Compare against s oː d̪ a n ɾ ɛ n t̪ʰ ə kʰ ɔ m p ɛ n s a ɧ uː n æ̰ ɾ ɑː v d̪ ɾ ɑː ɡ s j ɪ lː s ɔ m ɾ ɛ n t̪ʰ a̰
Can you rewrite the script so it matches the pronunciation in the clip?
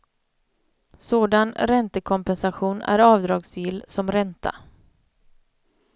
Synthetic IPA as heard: s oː d̪ a n ɾ ɛ n t̪ ə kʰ ɔ m p ɛ n s a ɧ uː n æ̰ ɾ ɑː v d̪ ɾ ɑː ɡ s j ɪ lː s ɔ m ɾ ɛ n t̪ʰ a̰

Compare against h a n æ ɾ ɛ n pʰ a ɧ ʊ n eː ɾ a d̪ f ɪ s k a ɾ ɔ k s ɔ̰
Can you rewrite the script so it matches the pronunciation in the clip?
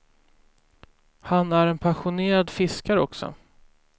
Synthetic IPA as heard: h a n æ ɾ ɛ n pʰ a ɧ ʊ n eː ɾ a d̪ f ɪ s k a ɾ ɔ k s ɔ̰

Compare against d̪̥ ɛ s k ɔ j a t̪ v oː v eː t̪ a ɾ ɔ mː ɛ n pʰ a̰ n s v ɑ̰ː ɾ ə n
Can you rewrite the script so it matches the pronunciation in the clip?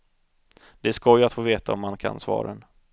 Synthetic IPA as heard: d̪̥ ɛ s k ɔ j a t̪ f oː v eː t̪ a ɔ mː a n kʰ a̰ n s v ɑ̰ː ɾ ə n

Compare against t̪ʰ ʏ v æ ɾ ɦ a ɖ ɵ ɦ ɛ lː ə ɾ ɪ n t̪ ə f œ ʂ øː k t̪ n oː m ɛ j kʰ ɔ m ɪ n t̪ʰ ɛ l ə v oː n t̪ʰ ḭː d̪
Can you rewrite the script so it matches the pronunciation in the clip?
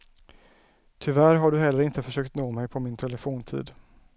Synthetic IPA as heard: t̪ʰ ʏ v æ ɾ ɦ a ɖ ɵ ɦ ɛ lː ə ɾ ɪ n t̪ ə f œ ʂ øː k t̪ n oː m ɛ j pʰ ɔ m ɪ n t̪ʰ ɛ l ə f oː n t̪ʰ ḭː d̪

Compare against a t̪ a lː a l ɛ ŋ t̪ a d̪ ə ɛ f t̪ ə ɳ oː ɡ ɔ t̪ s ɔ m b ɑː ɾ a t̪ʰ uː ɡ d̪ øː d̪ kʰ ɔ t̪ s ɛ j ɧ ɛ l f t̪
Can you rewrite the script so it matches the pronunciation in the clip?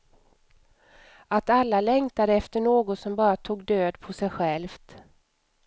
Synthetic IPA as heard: a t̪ a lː a l ɛ ŋ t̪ a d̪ ə ɛ f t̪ ə ɳ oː ɡ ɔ t̪ s ɔ m b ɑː ɾ a t̪ʰ uː ɡ d̪ øː d̪ pʰ ɔ s ɛ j ɧ ɛ l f t̪

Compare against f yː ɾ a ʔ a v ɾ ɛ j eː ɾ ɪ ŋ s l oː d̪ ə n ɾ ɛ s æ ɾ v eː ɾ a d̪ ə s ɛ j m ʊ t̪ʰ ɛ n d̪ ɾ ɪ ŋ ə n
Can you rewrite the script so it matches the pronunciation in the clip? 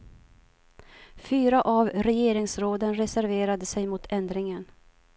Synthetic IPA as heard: f yː ɾ a ʔ a v ɾ ɛ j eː ɾ ɪ ŋ s ɾ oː d̪ ə n ɾ ɛ s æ ɾ v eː ɾ a d̪ ə s ɛ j m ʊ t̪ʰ ɛ n d̪ ɾ ɪ ŋ ə n

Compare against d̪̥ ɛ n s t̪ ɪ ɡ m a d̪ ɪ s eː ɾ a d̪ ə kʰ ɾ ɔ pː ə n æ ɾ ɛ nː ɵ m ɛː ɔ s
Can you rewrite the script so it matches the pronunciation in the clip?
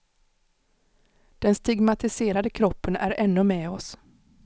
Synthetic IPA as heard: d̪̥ ɛ n s t̪ ɪ ɡ m a t̪ ɪ s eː ɾ a d̪ ə kʰ ɾ ɔ pː ə n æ ɾ ɛ nː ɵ m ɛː ɔ s

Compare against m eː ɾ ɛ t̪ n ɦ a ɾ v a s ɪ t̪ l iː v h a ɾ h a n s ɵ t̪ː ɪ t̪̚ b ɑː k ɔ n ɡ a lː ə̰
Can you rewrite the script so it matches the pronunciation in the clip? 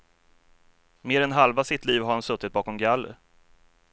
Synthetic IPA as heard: m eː ɾ ɛ n ɦ a l v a s ɪ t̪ l iː v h a ɾ h a n s ɵ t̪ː ɪ t̪̚ b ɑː k ɔ m ɡ a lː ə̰

